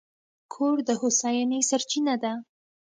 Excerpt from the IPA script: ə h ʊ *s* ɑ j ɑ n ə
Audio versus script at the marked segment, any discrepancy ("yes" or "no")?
no